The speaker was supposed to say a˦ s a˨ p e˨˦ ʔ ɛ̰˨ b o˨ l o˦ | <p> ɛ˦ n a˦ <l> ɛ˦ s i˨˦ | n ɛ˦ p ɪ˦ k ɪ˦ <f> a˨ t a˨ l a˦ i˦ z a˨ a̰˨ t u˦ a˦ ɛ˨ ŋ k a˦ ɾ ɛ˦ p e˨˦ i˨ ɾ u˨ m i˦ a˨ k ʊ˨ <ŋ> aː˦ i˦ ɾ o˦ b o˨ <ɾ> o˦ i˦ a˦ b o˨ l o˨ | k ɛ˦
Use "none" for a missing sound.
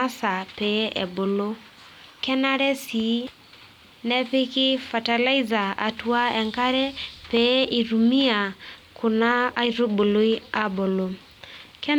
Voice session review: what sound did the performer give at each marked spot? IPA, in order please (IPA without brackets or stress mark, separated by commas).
k, ɾ, f, n, l